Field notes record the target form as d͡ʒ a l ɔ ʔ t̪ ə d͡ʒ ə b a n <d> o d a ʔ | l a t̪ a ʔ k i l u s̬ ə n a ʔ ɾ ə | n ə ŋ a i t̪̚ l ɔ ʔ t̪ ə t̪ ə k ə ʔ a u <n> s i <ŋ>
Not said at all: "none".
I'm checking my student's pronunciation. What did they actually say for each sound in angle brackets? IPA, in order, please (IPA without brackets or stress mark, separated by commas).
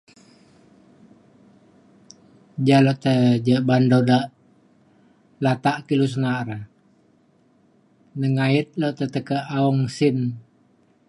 d, ŋ, n